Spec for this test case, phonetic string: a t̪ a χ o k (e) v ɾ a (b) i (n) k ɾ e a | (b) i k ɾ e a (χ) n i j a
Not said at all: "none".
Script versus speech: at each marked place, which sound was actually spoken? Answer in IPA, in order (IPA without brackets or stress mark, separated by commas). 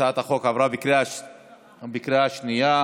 a, b, none, b, ʃ